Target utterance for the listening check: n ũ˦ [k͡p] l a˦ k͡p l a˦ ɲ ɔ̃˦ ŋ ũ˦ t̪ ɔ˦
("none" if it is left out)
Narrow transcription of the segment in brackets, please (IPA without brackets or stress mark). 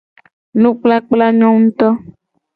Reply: k͡p